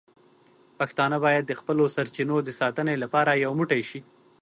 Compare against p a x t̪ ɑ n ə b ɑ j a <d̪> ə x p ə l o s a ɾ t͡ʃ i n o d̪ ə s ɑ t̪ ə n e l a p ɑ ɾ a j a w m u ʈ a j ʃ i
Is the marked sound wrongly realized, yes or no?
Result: yes